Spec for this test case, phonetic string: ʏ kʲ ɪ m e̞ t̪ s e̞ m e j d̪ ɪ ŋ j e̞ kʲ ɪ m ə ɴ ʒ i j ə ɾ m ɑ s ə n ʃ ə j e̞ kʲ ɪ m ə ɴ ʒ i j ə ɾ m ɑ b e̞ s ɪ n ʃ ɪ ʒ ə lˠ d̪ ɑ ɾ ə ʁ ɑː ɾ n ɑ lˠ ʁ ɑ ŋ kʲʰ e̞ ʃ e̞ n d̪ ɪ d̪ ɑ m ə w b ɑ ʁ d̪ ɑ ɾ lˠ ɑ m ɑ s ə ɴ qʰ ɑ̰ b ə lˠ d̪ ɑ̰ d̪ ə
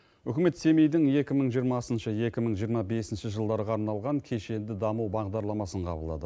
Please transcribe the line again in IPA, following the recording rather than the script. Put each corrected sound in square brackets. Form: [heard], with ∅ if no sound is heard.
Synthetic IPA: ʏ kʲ ɪ m e̞ t̪ s e̞ m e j d̪ ɪ ŋ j e̞ kʲ ɪ m ə ɴ ʒ i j ə ɾ m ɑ s ə n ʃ ə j e̞ kʲ ɪ m ə ɴ ʒ i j ə ɾ m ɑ b e̞ s ɪ n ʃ ɪ ʒ ə lˠ d̪ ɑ ɾ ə ʁ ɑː ɾ n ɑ lˠ ʁ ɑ ŋ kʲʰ e̞ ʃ e̞ n d̪ ɪ d̪ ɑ m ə w b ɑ ʁ d̪ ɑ ɾ lˠ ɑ m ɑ s ə ɴ qʰ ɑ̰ b ə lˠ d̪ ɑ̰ d̪ ə